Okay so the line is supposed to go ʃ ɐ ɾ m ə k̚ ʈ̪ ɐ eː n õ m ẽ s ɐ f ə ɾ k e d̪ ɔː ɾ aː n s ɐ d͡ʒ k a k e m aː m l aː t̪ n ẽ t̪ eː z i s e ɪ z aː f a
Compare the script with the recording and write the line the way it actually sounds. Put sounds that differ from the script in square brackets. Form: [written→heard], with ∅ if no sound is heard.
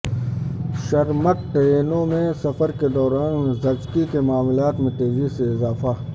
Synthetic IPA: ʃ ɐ ɾ m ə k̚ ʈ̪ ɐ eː n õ m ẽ s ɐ f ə ɾ k e d̪ ɔː ɾ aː n [s→z] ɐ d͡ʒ k [a→i] k e m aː m l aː t̪ [n→m] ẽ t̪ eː z i s e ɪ z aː f a